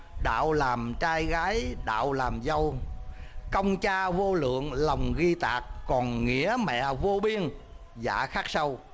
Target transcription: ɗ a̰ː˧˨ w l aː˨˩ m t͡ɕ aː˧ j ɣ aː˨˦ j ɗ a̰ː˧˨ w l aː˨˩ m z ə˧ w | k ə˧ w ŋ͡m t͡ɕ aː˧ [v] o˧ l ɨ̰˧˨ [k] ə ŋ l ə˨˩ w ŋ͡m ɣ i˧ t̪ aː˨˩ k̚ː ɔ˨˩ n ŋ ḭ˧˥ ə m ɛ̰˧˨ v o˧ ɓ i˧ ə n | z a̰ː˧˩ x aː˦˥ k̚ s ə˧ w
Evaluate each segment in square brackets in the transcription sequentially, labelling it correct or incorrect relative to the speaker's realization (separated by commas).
correct, incorrect